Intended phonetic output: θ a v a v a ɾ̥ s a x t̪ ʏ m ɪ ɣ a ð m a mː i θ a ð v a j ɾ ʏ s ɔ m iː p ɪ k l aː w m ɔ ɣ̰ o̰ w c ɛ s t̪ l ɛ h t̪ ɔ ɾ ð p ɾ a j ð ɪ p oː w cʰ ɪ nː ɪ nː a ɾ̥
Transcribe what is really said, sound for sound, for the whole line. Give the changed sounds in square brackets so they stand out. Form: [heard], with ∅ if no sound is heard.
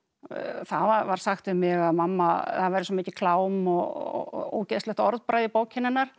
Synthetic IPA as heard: θ a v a v a ɾ̥ s a x t̪ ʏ m ɪ ɣ a ð m a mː [a] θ a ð v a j ɾ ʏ s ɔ m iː [c] ɪ [kʰ] l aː w m ɔ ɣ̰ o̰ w c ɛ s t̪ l ɛ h t̪ ɔ ɾ ð p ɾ a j ð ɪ p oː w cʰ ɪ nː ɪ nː a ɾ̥